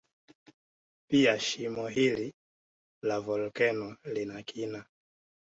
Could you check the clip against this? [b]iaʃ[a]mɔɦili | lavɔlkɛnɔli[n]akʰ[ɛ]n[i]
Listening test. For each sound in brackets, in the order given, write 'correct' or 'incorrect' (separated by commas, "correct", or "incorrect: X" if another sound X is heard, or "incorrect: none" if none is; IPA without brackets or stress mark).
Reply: incorrect: p, incorrect: i, correct, incorrect: i, incorrect: a